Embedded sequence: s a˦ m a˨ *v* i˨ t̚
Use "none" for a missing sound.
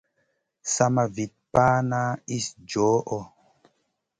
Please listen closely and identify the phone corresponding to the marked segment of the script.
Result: v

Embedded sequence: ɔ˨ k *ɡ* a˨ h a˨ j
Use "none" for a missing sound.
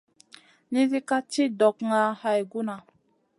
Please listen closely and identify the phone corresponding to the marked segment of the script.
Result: ŋ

